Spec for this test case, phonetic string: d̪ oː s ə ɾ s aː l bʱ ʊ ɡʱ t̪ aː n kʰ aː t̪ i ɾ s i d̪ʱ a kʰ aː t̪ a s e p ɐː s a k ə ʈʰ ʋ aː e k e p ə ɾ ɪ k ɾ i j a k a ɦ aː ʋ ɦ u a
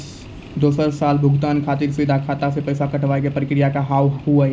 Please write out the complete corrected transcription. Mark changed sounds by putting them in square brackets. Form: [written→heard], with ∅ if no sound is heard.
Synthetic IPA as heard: d̪ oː s ə ɾ s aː l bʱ ʊ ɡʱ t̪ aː n kʰ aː t̪ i ɾ s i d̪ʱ a kʰ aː t̪ a s e p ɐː s a k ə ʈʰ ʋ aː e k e p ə ɾ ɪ k ɾ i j a k a ɦ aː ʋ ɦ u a